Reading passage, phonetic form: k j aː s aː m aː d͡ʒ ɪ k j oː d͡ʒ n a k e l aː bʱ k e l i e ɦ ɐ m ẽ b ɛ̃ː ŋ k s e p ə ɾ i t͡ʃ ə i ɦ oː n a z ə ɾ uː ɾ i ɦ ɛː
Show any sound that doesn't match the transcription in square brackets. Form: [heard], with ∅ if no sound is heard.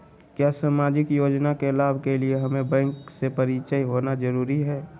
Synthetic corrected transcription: k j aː s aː m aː d͡ʒ ɪ k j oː d͡ʒ n a k e l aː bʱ k e l i e ɦ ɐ m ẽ b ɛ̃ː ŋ k s e p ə ɾ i t͡ʃ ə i ɦ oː n a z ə ɾ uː ɾ i ɦ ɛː

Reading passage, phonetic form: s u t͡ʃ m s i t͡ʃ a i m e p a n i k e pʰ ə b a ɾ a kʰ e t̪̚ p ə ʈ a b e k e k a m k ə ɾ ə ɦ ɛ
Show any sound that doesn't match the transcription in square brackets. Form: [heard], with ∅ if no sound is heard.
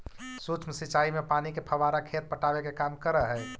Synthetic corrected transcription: s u t͡ʃ m s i t͡ʃ a i m e p a n i k e pʰ ə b a ɾ a kʰ e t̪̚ p ə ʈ a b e k e k a m k ə ɾ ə ɦ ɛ

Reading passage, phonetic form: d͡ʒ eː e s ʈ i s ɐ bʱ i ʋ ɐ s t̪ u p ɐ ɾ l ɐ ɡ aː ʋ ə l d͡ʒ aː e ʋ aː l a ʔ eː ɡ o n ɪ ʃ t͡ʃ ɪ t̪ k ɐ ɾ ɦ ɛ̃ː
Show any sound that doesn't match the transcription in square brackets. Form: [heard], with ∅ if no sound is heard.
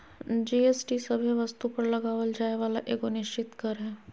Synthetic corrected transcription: d͡ʒ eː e s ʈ i s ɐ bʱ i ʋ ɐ s t̪ u p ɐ ɾ l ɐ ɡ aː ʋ ə l d͡ʒ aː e ʋ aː l a ʔ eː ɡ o n ɪ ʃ t͡ʃ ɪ t̪ k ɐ ɾ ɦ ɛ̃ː

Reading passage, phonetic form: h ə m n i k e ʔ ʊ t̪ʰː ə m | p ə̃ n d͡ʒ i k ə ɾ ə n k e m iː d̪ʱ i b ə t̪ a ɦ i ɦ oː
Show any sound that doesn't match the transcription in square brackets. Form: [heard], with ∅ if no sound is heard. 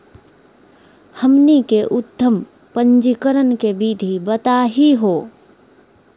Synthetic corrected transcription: h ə m n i k e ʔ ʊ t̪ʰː ə m | p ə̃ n d͡ʒ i k ə ɾ ə n k e [b] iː d̪ʱ i b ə t̪ a ɦ i ɦ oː

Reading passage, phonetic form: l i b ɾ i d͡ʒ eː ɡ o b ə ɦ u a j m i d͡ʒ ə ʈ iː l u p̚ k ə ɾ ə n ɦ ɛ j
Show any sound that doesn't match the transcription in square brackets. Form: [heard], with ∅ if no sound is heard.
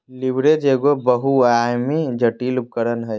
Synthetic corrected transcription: l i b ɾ [e] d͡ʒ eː ɡ o b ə ɦ u a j m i d͡ʒ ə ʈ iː l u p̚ k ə ɾ ə n ɦ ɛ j

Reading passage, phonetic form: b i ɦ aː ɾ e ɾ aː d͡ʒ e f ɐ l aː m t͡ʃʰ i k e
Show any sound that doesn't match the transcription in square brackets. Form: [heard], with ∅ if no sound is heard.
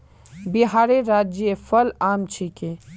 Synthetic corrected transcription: b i ɦ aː ɾ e ɾ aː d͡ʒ e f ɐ l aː m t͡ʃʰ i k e

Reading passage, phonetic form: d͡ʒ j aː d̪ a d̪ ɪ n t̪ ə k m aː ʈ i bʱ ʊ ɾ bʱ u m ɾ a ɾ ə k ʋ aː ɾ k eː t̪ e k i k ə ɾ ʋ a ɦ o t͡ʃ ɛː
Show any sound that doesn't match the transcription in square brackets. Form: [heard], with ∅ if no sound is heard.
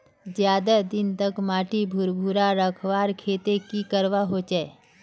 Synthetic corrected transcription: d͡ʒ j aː d̪ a d̪ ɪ n t̪ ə k m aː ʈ i bʱ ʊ ɾ bʱ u [∅] ɾ a ɾ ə [kʰ] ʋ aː ɾ [kʰ] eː t̪ e k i k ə ɾ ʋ a ɦ o t͡ʃ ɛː

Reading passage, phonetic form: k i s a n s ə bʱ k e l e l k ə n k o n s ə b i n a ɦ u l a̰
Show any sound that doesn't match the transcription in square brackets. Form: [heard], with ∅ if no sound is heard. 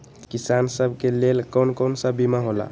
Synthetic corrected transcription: k i s a n s ə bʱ k e l e l k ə n k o n s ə b i [m] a ɦ [o] l a̰

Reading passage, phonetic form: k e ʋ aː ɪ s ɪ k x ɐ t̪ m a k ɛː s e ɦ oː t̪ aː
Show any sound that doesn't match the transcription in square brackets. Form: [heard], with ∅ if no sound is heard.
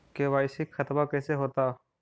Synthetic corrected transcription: k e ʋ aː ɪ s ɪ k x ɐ t̪ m a k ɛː s e ɦ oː t̪ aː

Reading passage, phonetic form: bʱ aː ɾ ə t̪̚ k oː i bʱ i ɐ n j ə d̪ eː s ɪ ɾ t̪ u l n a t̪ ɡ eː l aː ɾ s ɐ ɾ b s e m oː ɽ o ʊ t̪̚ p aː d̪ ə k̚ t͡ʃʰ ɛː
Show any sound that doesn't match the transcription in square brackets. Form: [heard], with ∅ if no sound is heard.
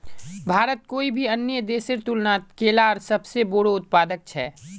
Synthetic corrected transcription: bʱ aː ɾ ə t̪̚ k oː i bʱ i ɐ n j ə d̪ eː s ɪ ɾ t̪ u l n a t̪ [k] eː l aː ɾ s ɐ [∅] b s e [b] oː ɽ o ʊ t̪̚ p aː d̪ ə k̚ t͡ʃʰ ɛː

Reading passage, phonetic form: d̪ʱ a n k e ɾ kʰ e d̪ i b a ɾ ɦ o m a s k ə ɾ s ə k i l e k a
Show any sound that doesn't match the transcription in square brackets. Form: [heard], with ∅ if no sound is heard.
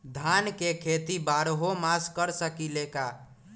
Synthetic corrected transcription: d̪ʱ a n k e [∅] kʰ e [t̪] i b a ɾ ɦ o m a s k ə ɾ s ə k i l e k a

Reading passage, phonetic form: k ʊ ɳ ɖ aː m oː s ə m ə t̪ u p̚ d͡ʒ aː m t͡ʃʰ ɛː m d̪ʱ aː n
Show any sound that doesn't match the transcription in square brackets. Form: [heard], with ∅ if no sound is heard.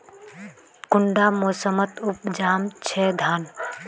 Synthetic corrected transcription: k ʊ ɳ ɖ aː m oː s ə m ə t̪ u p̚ d͡ʒ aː m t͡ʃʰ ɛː [∅] d̪ʱ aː n

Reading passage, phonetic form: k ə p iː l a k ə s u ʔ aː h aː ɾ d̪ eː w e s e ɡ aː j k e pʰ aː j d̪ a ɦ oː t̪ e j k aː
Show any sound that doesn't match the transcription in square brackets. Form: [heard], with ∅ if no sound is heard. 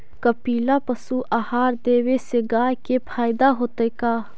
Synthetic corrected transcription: k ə p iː l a [p] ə s u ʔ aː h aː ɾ d̪ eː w e s e ɡ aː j k e pʰ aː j d̪ a ɦ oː t̪ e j k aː

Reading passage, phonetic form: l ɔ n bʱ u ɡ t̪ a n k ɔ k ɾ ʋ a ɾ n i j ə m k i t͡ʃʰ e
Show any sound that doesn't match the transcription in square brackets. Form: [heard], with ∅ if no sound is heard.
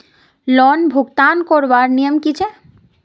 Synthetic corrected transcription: l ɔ n bʱ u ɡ t̪ a n k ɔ [∅] ɾ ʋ a ɾ n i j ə m k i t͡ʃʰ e

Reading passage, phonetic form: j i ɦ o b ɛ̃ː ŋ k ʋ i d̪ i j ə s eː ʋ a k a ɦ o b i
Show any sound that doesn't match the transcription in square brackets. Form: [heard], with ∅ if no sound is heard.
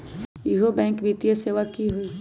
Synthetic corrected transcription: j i ɦ o b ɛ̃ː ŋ k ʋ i [t̪] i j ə s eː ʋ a k [i] ɦ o [∅] i

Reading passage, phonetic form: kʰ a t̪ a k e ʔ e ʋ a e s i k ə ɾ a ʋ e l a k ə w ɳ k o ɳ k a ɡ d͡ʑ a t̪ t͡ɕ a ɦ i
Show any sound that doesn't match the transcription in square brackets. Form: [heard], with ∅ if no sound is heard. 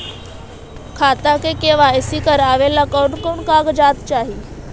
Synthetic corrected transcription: kʰ a t̪ a k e [k] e ʋ a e s i k ə ɾ a ʋ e l a k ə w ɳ k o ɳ k a ɡ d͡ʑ a t̪ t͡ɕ a ɦ i

